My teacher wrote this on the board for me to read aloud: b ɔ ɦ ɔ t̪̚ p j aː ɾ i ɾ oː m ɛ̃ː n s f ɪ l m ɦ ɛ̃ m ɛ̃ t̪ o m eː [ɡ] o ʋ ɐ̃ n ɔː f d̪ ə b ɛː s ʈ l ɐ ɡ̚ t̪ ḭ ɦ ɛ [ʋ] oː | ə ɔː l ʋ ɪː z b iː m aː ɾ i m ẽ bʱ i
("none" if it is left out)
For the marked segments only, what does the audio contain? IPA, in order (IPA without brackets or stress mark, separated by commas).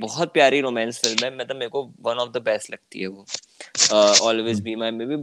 k, ʋ